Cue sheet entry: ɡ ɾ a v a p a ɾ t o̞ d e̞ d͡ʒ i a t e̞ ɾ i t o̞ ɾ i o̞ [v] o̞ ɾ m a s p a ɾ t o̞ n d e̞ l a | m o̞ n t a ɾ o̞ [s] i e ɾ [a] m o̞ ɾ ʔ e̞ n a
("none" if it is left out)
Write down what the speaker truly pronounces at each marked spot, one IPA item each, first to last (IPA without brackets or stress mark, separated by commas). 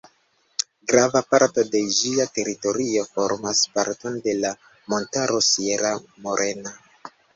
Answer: f, s, a